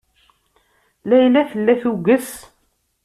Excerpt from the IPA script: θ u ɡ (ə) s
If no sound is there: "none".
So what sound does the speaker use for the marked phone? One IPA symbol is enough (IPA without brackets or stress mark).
ə